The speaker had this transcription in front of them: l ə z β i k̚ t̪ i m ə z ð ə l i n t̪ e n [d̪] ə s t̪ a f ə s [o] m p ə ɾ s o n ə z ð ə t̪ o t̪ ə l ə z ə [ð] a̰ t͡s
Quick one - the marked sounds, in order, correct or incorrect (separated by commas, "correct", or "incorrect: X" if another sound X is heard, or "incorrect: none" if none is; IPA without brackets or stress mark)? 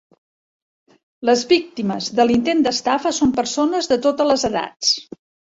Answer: correct, correct, correct